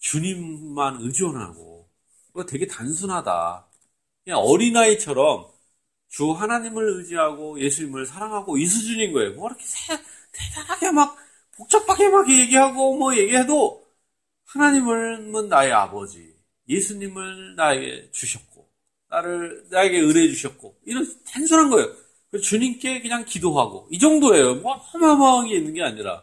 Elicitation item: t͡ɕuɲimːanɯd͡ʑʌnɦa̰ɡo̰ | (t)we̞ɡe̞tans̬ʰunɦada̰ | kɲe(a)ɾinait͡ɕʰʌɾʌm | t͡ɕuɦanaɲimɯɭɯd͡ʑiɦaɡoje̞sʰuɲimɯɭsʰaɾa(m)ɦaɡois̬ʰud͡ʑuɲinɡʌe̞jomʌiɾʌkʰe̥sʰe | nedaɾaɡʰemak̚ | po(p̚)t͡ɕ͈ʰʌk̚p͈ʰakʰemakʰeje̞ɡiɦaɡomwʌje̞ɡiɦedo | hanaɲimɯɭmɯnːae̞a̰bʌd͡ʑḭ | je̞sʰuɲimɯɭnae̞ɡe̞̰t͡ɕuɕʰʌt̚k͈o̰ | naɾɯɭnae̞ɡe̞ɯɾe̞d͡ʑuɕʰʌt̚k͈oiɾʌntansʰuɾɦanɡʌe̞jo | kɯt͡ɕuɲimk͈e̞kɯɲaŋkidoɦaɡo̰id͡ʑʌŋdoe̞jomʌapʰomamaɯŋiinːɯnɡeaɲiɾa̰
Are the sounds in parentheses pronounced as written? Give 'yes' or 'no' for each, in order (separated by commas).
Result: yes, no, no, no